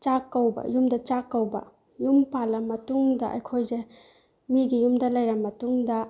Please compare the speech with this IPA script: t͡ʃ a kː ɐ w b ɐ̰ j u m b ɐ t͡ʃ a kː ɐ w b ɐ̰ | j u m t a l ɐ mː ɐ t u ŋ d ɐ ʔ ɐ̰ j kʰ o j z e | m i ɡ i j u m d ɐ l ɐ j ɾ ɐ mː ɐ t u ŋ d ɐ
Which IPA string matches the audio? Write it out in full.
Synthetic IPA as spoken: t͡ʃ a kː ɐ w b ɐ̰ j u m d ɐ t͡ʃ a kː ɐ w b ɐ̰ | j u m p a l ɐ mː ɐ t u ŋ d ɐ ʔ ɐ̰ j kʰ o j z e | m i ɡ i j u m d ɐ l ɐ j ɾ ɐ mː ɐ t u ŋ d ɐ